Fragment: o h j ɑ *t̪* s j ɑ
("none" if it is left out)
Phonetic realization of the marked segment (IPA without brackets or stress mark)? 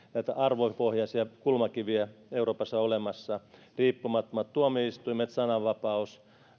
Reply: none